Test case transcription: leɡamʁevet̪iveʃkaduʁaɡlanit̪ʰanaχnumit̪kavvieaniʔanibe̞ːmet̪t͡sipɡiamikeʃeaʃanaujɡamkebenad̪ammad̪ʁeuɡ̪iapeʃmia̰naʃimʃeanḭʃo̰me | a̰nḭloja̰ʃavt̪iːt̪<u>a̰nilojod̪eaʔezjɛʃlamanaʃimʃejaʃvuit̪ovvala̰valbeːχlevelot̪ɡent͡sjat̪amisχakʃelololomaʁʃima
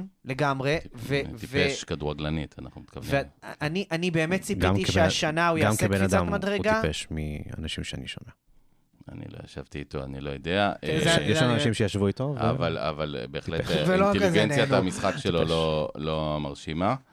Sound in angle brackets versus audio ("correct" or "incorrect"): incorrect